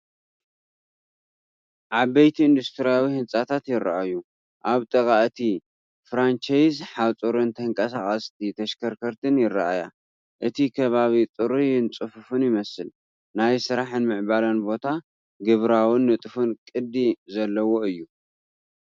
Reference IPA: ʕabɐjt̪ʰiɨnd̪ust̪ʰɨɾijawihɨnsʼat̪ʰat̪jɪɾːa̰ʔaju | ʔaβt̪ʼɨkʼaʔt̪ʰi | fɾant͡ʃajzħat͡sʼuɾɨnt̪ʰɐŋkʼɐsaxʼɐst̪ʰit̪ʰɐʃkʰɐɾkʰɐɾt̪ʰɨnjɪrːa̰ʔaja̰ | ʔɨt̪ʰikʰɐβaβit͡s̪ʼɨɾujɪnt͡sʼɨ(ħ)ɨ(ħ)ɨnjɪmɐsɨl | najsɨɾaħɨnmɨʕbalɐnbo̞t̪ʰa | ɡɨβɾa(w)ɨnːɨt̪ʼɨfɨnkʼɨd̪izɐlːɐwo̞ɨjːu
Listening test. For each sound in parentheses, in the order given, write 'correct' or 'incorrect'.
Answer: incorrect, incorrect, correct

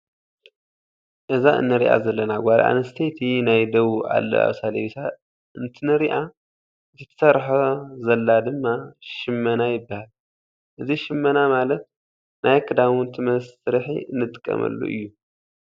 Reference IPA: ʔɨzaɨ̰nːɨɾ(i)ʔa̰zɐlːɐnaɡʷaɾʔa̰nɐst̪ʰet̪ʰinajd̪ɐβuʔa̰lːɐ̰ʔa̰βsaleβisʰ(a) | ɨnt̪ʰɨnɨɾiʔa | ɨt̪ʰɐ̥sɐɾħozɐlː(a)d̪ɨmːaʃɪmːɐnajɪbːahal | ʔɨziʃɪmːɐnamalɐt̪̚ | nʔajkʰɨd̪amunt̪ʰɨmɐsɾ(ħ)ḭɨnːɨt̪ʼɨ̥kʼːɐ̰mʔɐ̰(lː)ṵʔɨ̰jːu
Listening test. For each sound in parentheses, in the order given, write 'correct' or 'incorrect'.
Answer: correct, correct, correct, correct, correct

